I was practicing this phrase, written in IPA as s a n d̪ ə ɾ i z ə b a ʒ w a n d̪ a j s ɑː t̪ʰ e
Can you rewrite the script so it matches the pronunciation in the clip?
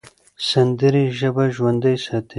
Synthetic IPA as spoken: s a n d̪ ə ɾ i ʒ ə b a ʒ w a n d̪ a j s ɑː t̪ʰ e